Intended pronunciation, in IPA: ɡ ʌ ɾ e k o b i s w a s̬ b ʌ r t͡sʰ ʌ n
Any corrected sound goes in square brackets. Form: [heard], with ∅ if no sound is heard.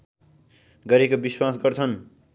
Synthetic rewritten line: ɡ ʌ ɾ e k o b i s w a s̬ [ɡ] ʌ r t͡sʰ ʌ n